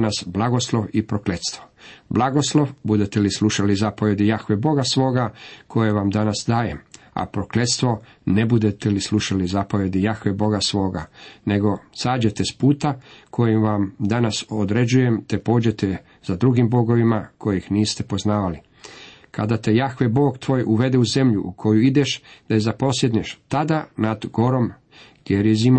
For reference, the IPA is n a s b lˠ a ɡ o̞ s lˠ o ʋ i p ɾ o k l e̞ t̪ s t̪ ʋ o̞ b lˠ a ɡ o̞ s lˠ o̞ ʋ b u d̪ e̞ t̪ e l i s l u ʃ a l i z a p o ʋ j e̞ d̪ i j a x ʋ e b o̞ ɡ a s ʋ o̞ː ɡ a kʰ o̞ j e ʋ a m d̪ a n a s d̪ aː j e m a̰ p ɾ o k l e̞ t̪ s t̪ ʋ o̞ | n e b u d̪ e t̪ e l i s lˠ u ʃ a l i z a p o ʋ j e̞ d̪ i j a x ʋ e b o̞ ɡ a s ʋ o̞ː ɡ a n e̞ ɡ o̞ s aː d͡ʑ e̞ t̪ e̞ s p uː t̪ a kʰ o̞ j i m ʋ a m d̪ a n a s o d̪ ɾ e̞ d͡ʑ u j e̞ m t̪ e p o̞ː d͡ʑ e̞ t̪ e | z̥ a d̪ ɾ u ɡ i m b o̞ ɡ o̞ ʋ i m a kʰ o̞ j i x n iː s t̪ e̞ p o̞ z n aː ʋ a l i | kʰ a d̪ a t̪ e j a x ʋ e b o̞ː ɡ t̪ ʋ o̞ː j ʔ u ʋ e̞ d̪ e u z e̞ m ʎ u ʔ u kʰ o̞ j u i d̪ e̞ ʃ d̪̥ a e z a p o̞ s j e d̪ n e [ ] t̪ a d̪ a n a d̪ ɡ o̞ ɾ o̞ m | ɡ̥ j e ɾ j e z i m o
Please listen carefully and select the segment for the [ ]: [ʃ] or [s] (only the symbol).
ʃ